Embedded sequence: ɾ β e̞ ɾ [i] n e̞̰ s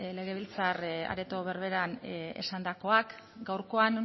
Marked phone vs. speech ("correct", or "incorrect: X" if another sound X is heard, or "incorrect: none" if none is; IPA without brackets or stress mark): incorrect: a